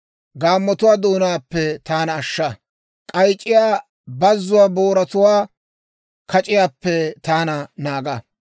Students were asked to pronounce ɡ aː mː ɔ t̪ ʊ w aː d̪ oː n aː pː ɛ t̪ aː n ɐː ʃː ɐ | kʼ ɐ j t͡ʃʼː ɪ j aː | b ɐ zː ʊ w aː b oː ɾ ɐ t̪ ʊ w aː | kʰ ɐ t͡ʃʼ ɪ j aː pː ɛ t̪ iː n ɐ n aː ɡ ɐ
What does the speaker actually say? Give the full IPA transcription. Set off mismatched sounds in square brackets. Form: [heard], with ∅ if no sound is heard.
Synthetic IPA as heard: ɡ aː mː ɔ t̪ ʊ w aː d̪ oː n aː pː ɛ t̪ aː n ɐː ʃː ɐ | kʼ ɐ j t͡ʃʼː ɪ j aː | b ɐ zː ʊ w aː b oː ɾ ɐ t̪ ʊ w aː | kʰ ɐ t͡ʃʼ ɪ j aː pː ɛ t̪ [aː] n ɐ n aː ɡ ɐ